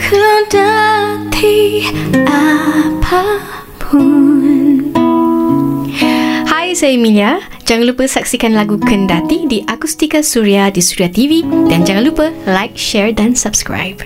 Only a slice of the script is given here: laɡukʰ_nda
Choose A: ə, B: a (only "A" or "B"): A